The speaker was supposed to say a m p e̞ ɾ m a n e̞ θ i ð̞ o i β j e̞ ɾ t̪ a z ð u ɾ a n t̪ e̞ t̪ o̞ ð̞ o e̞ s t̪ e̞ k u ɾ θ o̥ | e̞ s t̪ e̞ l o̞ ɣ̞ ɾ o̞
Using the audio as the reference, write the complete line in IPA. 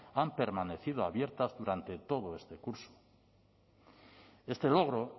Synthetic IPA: a m p e̞ ɾ m a n e̞ θ i ð̞ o a β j e̞ ɾ t̪ a z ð u ɾ a n t̪ e̞ t̪ o̞ ð̞ o e̞ s t̪ e̞ k u ɾ s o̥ | e̞ s t̪ e̞ l o̞ ɣ̞ ɾ o̞